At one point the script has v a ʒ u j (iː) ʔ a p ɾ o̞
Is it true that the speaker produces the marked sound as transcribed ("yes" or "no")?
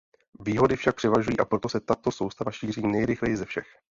yes